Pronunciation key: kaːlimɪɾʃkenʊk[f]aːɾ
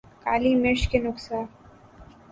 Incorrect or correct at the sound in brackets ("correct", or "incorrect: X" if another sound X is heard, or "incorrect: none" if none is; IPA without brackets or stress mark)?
incorrect: s